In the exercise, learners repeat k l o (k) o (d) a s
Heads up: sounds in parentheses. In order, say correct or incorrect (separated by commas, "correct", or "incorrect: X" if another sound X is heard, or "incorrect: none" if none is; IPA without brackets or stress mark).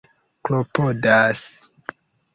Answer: incorrect: p, correct